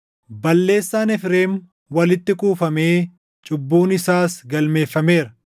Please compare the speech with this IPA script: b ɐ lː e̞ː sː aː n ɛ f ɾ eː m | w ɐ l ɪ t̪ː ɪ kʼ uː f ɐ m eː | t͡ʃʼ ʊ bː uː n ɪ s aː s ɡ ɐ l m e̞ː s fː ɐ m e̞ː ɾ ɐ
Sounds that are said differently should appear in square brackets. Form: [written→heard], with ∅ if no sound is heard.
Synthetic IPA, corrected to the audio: b ɐ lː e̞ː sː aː n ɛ f ɾ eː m | w ɐ l ɪ t̪ː ɪ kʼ uː f ɐ m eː | t͡ʃʼ ʊ bː uː n ɪ s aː s ɡ ɐ l m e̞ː [s→∅] fː ɐ m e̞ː ɾ ɐ